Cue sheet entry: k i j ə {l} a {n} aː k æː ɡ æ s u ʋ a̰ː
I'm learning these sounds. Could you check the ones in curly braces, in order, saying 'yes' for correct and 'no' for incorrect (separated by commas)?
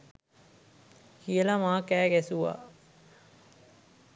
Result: yes, no